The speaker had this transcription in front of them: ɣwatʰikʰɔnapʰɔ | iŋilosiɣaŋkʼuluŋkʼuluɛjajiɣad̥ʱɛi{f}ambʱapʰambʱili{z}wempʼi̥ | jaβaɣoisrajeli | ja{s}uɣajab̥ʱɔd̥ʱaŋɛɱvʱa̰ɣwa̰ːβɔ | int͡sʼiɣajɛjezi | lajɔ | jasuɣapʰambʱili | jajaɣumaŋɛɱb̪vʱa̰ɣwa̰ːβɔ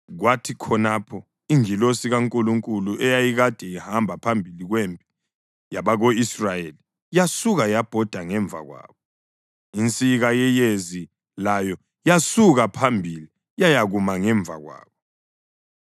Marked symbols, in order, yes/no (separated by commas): no, no, yes